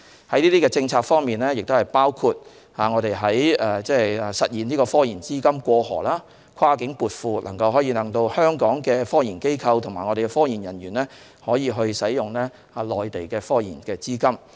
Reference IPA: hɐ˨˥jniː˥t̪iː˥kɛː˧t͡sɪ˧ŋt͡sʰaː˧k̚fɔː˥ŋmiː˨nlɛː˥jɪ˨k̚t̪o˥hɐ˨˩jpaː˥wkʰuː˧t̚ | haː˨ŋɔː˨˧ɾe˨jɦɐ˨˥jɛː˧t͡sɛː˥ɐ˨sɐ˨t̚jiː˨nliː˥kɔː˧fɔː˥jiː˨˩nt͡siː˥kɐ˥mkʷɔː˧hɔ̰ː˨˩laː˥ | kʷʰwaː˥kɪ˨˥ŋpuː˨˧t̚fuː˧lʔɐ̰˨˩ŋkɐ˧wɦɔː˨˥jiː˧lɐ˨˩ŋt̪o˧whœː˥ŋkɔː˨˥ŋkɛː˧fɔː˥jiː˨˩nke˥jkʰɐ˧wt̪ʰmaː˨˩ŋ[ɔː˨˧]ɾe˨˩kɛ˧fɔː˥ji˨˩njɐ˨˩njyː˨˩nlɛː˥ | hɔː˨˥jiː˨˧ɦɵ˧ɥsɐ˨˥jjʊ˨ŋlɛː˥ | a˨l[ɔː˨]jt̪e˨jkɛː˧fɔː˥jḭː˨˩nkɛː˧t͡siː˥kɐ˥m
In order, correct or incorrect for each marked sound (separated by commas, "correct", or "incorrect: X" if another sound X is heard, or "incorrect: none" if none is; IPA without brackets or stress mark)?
incorrect: ɔ˨˧, correct